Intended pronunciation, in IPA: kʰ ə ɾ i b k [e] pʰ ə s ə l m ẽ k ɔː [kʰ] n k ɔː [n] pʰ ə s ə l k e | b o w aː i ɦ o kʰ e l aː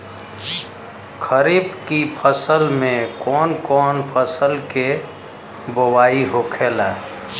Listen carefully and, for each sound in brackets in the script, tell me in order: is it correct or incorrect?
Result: incorrect: i, incorrect: none, correct

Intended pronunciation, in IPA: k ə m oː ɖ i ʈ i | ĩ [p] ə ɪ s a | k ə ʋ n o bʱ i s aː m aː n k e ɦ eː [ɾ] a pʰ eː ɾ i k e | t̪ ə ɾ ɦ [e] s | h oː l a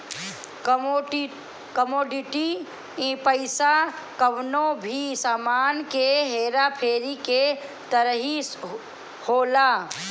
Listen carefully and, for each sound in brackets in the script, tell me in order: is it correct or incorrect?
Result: correct, correct, incorrect: i

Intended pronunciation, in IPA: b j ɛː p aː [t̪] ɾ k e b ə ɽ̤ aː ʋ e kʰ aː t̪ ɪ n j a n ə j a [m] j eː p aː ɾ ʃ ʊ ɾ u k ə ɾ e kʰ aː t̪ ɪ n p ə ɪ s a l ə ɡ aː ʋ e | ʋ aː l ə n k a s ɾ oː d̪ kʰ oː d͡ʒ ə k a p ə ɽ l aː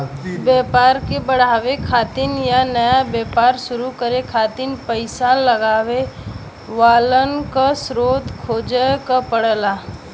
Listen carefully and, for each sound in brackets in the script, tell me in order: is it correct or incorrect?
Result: incorrect: none, incorrect: b

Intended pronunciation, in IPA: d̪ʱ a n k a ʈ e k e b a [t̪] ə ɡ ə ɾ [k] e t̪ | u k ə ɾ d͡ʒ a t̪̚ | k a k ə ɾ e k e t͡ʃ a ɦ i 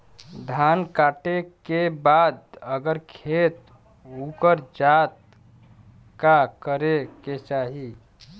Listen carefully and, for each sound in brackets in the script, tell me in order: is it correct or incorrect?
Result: incorrect: d̪, incorrect: kʰ

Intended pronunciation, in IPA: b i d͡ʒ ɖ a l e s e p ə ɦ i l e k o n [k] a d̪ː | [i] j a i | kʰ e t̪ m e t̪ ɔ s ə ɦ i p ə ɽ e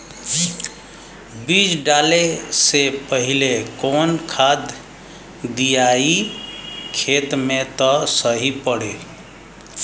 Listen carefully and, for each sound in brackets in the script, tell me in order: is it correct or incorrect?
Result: incorrect: kʰ, correct

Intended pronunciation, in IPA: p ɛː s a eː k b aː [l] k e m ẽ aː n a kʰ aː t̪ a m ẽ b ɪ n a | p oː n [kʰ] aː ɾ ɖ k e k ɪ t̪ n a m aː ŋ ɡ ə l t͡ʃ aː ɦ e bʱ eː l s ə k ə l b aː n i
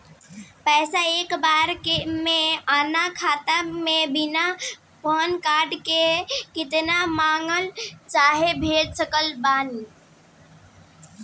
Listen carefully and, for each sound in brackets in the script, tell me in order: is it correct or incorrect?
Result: incorrect: ɾ, incorrect: k

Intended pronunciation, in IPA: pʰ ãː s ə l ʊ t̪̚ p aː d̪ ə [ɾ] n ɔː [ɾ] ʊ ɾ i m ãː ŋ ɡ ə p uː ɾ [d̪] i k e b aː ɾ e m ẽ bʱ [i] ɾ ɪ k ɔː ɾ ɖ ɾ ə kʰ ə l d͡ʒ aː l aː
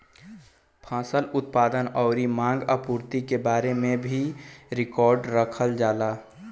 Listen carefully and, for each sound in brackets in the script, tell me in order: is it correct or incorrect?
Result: incorrect: none, incorrect: none, incorrect: t̪, correct

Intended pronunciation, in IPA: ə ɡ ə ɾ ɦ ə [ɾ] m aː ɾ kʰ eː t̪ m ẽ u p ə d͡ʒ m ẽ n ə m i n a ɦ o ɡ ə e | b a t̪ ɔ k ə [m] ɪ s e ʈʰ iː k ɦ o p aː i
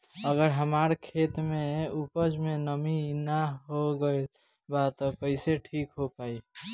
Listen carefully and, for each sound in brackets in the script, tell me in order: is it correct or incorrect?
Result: incorrect: none, incorrect: none

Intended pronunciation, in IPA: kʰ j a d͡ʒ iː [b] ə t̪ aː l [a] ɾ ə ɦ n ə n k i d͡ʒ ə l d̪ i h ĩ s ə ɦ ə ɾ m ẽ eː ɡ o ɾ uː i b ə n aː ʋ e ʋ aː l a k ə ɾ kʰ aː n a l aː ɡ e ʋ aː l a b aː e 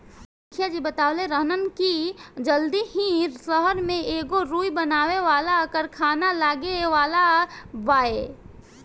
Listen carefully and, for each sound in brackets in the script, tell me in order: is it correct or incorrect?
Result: correct, incorrect: e

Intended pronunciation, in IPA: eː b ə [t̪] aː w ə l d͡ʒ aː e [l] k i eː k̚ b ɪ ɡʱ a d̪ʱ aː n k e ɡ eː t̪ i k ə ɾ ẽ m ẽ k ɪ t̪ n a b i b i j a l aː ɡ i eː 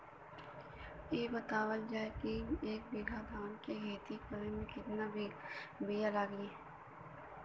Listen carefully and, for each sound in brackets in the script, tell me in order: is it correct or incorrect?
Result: correct, incorrect: none

